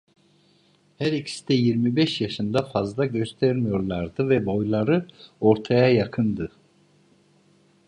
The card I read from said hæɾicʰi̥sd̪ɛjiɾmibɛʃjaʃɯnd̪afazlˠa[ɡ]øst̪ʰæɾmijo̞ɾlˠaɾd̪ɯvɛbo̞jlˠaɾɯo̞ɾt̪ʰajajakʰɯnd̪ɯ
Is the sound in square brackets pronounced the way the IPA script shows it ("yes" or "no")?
no